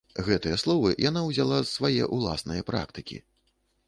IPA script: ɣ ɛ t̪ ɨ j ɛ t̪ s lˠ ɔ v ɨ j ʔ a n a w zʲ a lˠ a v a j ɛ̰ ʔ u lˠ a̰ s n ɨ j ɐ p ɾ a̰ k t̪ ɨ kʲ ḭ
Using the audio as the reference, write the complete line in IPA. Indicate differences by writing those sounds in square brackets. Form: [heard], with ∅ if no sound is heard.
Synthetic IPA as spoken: ɣ ɛ t̪ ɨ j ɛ [∅] s lˠ ɔ v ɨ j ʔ a n a w zʲ a lˠ a v a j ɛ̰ ʔ u lˠ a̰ s n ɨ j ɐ p ɾ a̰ k t̪ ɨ kʲ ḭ

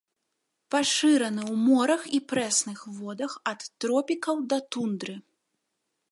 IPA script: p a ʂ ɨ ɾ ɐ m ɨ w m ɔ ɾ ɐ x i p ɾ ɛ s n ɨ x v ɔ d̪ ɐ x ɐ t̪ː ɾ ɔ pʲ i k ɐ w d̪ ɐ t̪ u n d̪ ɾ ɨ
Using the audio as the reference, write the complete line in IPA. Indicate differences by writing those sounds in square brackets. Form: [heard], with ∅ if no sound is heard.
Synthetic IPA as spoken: p a ʂ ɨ ɾ ɐ [n] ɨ w m ɔ ɾ ɐ x i p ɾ ɛ s n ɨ x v ɔ d̪ ɐ x ɐ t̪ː ɾ ɔ pʲ i k ɐ w d̪ ɐ t̪ u n d̪ ɾ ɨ

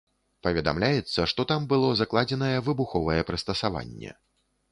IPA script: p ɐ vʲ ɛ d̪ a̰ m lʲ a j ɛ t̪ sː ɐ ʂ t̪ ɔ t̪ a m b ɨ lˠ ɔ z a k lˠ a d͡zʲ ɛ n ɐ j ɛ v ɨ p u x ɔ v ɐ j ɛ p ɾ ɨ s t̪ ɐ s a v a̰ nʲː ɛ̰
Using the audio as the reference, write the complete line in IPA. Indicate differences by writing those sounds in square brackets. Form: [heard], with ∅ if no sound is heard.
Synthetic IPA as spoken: p ɐ vʲ ɛ d̪ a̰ m lʲ a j ɛ t̪ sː ɐ ʂ t̪ ɔ t̪ a m b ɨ lˠ ɔ z a k lˠ a d͡zʲ ɛ n ɐ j ɛ v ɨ [b] u x ɔ v ɐ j ɛ p ɾ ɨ s t̪ ɐ s a v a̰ nʲː ɛ̰

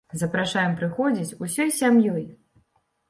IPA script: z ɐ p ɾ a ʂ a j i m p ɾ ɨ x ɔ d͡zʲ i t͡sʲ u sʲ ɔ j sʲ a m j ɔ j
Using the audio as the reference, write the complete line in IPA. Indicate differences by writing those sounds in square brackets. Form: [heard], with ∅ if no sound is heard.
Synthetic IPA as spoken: z ɐ p ɾ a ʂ a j [ɛ] m p ɾ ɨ x ɔ d͡zʲ i t͡sʲ u sʲ ɔ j sʲ a m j ɔ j

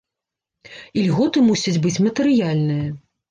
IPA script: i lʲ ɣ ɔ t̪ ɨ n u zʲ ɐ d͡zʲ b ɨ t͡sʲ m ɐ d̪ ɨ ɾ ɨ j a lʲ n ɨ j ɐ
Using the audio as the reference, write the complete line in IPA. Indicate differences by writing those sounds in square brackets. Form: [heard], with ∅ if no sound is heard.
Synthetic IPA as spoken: i lʲ ɣ ɔ t̪ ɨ [m] u [sʲ] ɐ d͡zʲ b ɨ t͡sʲ m ɐ [t̪] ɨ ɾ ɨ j a lʲ n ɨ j ɐ

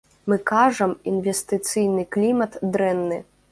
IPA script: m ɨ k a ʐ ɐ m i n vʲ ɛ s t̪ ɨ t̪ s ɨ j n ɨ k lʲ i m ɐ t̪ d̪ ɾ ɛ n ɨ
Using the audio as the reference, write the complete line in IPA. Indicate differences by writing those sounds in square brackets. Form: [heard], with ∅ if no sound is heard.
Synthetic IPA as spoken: m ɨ k a ʐ ɐ m i n vʲ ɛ s t̪ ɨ t̪ s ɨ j n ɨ k lʲ i m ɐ t̪ d̪ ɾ ɛ [nː] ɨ

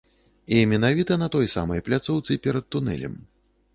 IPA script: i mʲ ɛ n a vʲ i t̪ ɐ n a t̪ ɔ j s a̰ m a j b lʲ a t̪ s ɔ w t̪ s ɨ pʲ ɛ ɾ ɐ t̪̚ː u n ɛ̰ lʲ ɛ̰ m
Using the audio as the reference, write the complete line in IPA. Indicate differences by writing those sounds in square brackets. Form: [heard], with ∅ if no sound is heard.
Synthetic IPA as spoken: i mʲ ɛ n a vʲ i t̪ ɐ n [ɐ] t̪ ɔ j s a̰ m [ɐ] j [p] lʲ a t̪ s ɔ w t̪ s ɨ pʲ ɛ ɾ ɐ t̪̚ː u n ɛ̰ lʲ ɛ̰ m

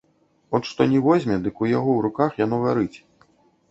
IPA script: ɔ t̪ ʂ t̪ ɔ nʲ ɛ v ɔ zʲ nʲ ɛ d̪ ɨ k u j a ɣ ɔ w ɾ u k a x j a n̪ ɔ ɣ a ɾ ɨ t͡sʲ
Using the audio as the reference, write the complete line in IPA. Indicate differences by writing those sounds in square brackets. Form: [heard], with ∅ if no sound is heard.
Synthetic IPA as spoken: ɔ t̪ ʂ t̪ ɔ nʲ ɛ v ɔ zʲ [mʲ] ɛ d̪ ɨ k u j a ɣ ɔ w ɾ u k a x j a n̪ ɔ ɣ a ɾ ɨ t͡sʲ

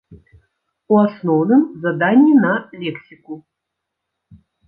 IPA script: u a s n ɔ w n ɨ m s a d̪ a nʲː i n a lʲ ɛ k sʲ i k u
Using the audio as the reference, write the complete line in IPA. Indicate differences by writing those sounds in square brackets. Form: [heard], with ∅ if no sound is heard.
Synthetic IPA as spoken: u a s n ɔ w n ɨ m [z] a d̪ a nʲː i n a lʲ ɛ k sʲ i k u

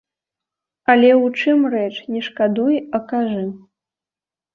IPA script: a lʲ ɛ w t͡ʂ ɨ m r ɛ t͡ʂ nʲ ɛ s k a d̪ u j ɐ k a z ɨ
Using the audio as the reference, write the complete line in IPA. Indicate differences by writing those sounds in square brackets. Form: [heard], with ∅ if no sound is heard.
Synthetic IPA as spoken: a lʲ ɛ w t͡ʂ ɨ m r ɛ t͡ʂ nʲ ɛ [ʂ] k a d̪ u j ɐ k a [ʐ] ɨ

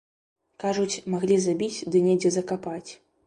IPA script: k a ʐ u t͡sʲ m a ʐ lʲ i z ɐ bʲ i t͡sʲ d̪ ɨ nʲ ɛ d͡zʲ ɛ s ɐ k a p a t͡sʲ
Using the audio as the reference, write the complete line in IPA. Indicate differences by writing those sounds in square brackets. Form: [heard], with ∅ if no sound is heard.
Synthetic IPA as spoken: k a ʐ u t͡sʲ m a [ɣ] lʲ i z [a] bʲ i t͡sʲ d̪ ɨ nʲ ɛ d͡zʲ ɛ [z] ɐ k a p a t͡sʲ

